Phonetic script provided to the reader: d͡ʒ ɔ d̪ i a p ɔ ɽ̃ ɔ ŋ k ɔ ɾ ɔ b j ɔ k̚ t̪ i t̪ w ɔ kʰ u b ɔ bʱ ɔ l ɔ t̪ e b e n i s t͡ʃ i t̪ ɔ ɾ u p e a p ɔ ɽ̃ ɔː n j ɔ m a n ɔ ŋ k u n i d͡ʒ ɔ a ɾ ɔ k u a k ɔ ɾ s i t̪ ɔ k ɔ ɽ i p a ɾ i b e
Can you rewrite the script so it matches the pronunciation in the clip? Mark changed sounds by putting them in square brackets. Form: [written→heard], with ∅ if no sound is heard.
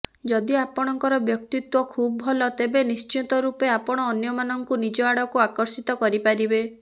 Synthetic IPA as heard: d͡ʒ ɔ d̪ i a p ɔ ɽ̃ ɔ ŋ k ɔ ɾ ɔ b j ɔ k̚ t̪ i t̪ w ɔ kʰ u b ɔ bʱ ɔ l ɔ t̪ e b e n i s t͡ʃ i t̪ ɔ ɾ u p e a p ɔ ɽ̃ ɔː n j ɔ m a n ɔ ŋ k u n i d͡ʒ ɔ a [ɾ→ɽ] ɔ k u a k ɔ ɾ s i t̪ ɔ k ɔ [ɽ→ɾ] i p a ɾ i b e